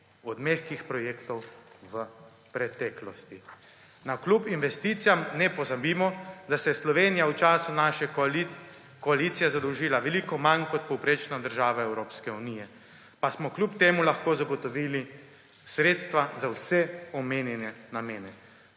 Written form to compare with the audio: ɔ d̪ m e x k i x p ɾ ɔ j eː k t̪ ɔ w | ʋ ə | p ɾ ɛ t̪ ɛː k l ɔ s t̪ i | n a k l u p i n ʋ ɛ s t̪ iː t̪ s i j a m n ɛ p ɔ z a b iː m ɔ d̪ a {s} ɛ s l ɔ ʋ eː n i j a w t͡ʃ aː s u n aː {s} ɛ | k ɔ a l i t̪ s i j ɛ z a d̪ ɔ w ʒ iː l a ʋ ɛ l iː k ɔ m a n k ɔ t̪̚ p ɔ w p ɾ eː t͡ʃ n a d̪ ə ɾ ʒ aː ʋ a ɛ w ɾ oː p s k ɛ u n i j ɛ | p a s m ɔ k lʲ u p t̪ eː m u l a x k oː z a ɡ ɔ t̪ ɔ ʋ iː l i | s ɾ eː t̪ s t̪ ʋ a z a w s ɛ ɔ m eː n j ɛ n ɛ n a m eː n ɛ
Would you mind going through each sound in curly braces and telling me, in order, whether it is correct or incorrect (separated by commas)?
correct, incorrect